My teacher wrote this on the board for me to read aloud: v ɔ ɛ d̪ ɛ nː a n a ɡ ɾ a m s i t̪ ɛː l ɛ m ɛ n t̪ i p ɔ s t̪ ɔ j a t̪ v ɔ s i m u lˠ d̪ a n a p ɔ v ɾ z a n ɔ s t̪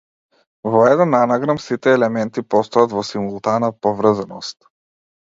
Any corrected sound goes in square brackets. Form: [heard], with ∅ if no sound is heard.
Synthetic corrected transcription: v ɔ ɛ d̪ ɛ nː a n a ɡ ɾ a m s i t̪ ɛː l ɛ m ɛ n t̪ i p ɔ s t̪ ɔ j a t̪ v ɔ s i m u lˠ [t̪] a n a p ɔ v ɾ z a n ɔ s t̪